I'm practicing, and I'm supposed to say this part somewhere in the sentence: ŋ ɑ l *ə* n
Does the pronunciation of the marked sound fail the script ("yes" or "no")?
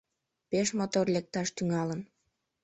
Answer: no